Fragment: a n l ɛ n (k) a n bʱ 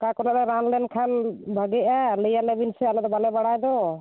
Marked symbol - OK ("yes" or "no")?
no